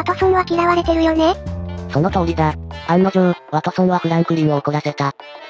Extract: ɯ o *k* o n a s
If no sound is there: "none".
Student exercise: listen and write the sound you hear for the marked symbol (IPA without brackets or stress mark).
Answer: k